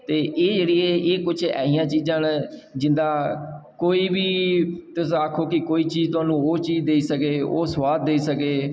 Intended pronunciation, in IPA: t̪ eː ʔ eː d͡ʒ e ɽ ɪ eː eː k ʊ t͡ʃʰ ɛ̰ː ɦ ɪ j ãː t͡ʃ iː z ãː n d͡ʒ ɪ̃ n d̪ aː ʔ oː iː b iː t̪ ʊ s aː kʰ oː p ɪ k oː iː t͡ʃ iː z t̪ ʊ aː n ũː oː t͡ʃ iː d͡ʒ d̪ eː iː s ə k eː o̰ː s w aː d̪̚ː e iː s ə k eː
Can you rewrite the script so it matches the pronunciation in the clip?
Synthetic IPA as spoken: t̪ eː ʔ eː d͡ʒ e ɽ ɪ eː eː k ʊ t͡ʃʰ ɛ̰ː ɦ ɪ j ãː t͡ʃ iː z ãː n d͡ʒ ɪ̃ n d̪ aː k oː iː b iː t̪ ʊ s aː kʰ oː k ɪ k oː iː t͡ʃ iː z t̪ ʊ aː n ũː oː t͡ʃ iː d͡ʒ d̪ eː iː s ə k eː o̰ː s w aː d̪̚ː e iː s ə k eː